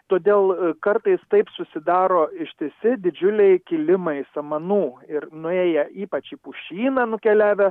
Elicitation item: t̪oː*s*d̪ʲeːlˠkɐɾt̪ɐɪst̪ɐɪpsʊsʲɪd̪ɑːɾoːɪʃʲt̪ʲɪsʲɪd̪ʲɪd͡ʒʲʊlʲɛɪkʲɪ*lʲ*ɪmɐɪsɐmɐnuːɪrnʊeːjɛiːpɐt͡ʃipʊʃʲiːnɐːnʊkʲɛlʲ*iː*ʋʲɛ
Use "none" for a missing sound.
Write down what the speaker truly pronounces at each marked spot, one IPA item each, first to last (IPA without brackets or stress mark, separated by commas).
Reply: none, lʲ, æː